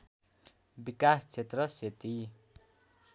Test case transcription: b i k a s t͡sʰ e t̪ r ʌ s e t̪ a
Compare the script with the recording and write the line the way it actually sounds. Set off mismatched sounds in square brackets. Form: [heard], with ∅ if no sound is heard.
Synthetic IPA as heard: b i k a s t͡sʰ e t̪ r ʌ s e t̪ [i]